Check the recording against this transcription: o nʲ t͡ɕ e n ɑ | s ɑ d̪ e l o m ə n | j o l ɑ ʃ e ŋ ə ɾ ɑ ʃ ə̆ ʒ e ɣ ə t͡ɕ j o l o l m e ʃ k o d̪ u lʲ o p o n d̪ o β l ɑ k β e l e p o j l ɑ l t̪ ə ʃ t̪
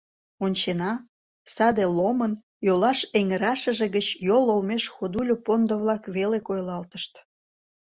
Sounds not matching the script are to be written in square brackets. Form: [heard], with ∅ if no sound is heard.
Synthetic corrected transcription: o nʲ t͡ɕ e n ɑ | s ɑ d̪ e l o m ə n | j o l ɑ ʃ e ŋ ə ɾ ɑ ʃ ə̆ ʒ e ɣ ə t͡ɕ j o l o l m e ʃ [x] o d̪ u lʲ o p o n d̪ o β l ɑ k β e l e [k] o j l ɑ l t̪ ə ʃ t̪